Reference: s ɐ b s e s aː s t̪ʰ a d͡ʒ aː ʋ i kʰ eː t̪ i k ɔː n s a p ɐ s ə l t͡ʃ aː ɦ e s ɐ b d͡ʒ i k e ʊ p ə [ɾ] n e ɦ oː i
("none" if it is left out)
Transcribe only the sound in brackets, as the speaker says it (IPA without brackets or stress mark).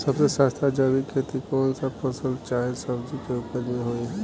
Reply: ɾ